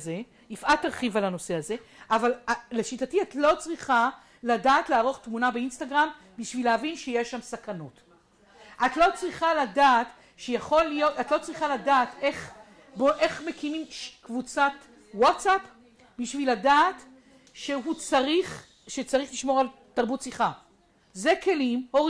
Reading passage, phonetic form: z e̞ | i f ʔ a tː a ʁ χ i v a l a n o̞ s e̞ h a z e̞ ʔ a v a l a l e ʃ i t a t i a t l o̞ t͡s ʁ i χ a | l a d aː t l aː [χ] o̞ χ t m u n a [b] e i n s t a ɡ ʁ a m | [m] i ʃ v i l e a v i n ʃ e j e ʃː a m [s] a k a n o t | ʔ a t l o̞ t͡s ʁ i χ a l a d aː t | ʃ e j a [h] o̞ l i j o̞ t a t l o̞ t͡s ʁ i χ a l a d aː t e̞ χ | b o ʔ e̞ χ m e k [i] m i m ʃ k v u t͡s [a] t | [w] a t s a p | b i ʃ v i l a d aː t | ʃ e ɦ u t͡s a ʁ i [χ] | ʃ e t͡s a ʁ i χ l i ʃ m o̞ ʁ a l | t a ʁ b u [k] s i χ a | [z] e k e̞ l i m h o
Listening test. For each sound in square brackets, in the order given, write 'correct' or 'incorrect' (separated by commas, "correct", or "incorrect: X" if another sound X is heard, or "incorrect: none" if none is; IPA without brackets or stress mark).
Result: incorrect: ʁ, correct, incorrect: b, correct, incorrect: χ, correct, correct, correct, correct, incorrect: t, correct